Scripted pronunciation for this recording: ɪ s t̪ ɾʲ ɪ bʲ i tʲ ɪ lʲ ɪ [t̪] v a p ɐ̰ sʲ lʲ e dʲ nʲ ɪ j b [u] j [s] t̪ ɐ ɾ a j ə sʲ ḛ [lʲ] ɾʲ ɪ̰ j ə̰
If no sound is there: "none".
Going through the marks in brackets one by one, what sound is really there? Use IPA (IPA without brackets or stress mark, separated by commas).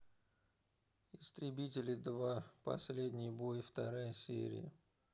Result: d̪, o, f, none